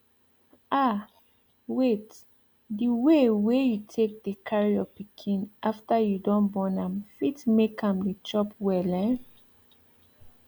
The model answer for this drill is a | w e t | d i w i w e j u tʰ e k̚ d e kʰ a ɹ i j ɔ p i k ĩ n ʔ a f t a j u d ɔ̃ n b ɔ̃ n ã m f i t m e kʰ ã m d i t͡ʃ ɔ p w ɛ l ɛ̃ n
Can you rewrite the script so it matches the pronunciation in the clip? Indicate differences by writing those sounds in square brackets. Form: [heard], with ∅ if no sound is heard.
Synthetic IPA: a | w e t | d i w [e] w e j u tʰ e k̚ d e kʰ a ɹ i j ɔ p i [kʰ] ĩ n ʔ a f t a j u d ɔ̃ n b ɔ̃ n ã m f i t m e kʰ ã m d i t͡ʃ ɔ p w ɛ l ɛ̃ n

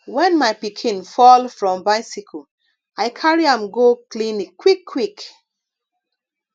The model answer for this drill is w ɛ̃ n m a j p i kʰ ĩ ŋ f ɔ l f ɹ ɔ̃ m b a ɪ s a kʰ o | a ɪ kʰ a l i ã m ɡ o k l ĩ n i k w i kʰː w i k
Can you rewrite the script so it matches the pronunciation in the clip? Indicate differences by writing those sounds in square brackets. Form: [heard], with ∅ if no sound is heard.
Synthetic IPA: w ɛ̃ n m a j p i kʰ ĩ [n] f ɔ l f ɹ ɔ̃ m b a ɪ s [i] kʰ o | a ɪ kʰ a [ɹ] i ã m ɡ o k l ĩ n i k w i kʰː w i k

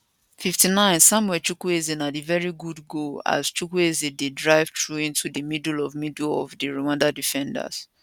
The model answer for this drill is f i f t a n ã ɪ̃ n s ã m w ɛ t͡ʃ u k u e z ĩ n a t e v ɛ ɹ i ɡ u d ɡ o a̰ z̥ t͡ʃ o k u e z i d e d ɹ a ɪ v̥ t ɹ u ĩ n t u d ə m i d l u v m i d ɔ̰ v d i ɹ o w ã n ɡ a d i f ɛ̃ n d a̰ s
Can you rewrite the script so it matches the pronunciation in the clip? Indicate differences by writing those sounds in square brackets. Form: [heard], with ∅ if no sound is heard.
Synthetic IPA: f i f t [i] n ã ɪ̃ n s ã m w ɛ t͡ʃ u k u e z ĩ n a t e v ɛ ɹ i ɡ u d ɡ o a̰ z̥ t͡ʃ [u] k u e z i d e d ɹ a ɪ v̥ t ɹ u ĩ n t u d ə m i d l [ɔ] v m i d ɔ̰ v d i ɹ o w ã n [d] a d i f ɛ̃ n d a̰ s

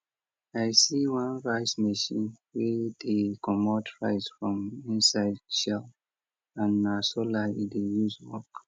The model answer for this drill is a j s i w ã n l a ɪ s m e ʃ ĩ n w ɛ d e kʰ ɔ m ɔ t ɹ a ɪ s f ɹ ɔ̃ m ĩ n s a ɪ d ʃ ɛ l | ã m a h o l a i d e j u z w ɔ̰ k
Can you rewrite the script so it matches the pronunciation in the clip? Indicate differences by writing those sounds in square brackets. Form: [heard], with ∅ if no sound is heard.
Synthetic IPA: a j s i w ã n [ɹ] a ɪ s m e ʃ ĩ n w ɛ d e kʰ ɔ m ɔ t ɹ a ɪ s f ɹ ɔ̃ m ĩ n s a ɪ d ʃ ɛ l | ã [n] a [s] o l a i d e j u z w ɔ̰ k

